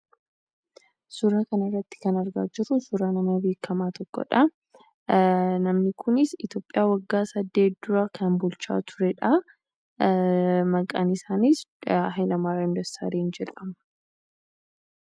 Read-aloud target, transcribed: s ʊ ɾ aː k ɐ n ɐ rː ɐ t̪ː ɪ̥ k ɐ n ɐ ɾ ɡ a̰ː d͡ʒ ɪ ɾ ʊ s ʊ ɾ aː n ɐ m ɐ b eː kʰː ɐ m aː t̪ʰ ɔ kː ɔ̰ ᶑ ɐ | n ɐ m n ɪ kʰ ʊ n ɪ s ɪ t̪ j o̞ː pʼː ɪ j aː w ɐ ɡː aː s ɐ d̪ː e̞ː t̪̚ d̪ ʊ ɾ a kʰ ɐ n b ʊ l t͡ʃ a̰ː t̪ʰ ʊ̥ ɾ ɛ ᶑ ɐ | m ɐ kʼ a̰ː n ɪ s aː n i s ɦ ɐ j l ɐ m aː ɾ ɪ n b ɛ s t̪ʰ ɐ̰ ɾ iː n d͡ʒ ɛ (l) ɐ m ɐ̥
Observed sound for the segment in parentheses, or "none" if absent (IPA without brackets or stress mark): l